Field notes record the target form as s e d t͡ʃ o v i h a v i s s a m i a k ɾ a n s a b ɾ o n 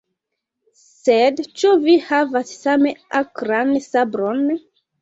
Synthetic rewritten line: s e d t͡ʃ u v i h a v a s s a m e a k ɾ a n s a b ɾ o n

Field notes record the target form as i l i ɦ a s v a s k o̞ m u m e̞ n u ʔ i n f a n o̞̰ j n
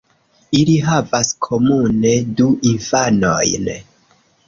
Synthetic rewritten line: i l i ɦ a v a s kʰ o̞ m u n e̞ d u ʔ i n f a n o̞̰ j n

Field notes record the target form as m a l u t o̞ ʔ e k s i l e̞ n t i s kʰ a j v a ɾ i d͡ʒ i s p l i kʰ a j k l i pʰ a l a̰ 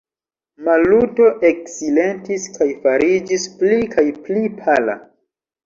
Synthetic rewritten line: m a l u t o̞ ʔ e k s i l e̞ n t i s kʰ a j f a ɾ i d͡ʒ i s p l i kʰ a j p l i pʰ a l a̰

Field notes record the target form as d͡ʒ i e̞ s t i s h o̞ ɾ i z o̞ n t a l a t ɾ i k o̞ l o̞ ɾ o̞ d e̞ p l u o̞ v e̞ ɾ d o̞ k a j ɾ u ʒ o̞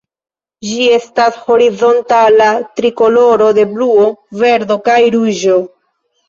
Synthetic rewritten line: d͡ʒ i e̞ s t a s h o̞ ɾ i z o̞ n t a l a t ɾ i k o̞ l o̞ ɾ o̞ d e̞ b l u o̞ v e̞ ɾ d o̞ k a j ɾ u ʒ o̞

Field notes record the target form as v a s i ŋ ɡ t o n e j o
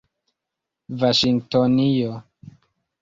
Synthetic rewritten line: v a ʃ i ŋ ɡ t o n i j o

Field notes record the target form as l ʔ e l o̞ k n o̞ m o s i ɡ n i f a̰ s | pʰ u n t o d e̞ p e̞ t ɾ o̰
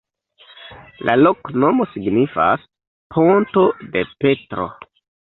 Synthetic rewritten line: l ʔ a l o̞ k n o̞ m o s i ɡ n i f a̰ s | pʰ o n t o d e̞ p e̞ t ɾ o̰

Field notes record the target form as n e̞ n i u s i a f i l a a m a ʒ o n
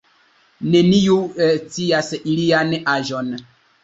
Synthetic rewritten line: n e̞ n i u t͡s i a s i l i a n a ʒ o n

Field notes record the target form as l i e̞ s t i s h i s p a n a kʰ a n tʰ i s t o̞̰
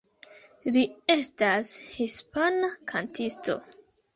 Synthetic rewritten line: l i e̞ s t a s h i s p a n a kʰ a n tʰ i s t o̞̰

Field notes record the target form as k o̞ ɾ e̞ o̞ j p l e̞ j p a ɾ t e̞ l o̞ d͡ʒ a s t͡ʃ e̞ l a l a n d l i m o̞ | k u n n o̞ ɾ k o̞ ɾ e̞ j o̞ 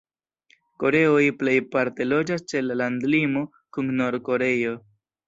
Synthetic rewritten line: k o̞ ɾ e̞ o̞ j p l e̞ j p a ɾ t e̞ l o̞ d͡ʒ a s t͡ʃ e̞ l a l a n d l i m o̞ | k u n n o̞ ɾ k o̞ ɾ e̞ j o̞

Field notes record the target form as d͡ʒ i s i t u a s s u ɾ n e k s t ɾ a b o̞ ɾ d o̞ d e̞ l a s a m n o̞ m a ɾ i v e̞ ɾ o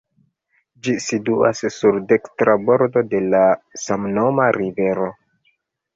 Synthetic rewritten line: d͡ʒ i s i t u a s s u ɾ d e k s t ɾ a b o̞ ɾ d o̞ d e̞ l a s a m n o̞ m a ɾ i v e̞ ɾ o

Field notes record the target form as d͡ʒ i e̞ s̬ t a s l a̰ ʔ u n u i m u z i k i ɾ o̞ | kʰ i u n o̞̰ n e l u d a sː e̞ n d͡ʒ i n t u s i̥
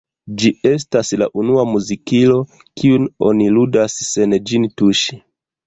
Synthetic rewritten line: d͡ʒ i e̞ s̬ t a s l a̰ ʔ u n u a m u z i k i l o̞ | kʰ i u n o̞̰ n i l u d a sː e̞ n d͡ʒ i n t u ʃ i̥

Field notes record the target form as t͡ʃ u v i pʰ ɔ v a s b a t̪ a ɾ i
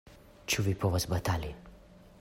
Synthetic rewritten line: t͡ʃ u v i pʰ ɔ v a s b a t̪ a l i

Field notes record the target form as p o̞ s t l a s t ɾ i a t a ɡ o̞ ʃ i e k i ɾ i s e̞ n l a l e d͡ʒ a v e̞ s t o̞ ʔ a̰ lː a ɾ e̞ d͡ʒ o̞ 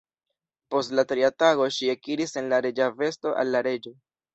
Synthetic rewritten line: p o̞ s t l a t ɾ i a t a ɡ o̞ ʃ i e k i ɾ i s e̞ n l a ɾ e d͡ʒ a v e̞ s t o̞ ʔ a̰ lː a ɾ e̞ d͡ʒ o̞

